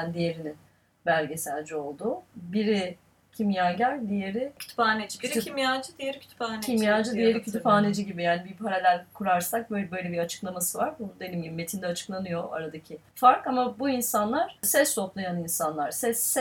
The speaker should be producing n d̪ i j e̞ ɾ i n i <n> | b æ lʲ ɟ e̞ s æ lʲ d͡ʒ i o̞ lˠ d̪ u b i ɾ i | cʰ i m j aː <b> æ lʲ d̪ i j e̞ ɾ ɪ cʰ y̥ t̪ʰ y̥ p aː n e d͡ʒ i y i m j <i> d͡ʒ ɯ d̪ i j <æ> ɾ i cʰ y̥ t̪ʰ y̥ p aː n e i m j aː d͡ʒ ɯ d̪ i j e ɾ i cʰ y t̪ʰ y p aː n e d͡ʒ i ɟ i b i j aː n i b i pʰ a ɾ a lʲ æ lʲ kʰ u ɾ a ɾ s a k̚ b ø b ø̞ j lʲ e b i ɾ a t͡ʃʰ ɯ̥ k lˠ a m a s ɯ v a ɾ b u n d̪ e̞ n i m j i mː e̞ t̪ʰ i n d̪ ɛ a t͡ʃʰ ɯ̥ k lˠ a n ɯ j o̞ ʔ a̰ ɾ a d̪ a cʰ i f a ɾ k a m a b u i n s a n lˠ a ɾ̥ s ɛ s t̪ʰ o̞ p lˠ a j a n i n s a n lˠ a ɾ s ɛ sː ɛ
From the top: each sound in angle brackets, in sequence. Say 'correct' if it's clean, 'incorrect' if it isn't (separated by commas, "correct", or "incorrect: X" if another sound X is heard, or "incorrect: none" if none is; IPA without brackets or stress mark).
correct, incorrect: ɟ, incorrect: a, incorrect: e